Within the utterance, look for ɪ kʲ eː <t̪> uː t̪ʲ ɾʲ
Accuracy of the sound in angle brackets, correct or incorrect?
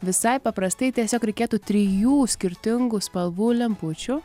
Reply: correct